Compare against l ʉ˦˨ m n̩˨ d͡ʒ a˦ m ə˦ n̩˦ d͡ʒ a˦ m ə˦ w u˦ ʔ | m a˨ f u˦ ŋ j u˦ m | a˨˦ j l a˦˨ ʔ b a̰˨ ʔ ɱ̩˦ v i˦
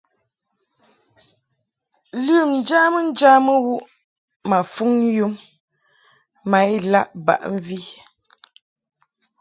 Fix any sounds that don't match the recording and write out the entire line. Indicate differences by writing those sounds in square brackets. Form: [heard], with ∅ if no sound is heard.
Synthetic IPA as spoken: l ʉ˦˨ m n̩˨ d͡ʒ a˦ m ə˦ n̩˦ d͡ʒ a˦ m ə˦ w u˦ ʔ | m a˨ f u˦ ŋ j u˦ m | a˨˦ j l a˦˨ ʔ b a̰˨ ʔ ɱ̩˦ v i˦